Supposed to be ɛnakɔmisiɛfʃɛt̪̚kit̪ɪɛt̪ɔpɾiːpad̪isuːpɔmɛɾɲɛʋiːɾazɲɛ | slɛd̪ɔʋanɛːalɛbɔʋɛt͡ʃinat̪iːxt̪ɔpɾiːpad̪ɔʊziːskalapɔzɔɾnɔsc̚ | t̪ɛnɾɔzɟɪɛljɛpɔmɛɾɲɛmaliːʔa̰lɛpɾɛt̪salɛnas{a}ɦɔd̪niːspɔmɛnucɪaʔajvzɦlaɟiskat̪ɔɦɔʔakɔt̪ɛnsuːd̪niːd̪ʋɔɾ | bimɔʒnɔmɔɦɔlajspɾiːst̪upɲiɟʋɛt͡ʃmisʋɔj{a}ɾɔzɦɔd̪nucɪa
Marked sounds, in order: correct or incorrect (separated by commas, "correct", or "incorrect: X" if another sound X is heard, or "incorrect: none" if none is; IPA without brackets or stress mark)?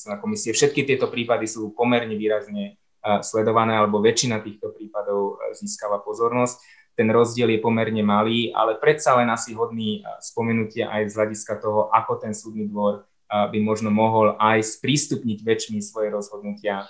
incorrect: i, incorrect: ɛ